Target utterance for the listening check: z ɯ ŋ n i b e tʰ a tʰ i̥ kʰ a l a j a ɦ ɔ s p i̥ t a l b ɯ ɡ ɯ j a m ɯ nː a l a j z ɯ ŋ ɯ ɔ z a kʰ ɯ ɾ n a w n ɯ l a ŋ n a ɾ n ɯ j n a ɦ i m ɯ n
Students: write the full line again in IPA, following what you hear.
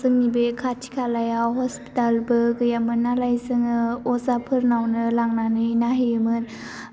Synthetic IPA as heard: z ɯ ŋ n i b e kʰ a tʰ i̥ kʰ a l a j a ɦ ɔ s p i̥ t a l b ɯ ɡ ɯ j a m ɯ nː a l a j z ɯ ŋ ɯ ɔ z a pʰ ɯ ɾ n a w n ɯ l a ŋ n a n ɯ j n a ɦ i m ɯ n